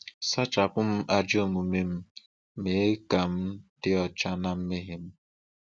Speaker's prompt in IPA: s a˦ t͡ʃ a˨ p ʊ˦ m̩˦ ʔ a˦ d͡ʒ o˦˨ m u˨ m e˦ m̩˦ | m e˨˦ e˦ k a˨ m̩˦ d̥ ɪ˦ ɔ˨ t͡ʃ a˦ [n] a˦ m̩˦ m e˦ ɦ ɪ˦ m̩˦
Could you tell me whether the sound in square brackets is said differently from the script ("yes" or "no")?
no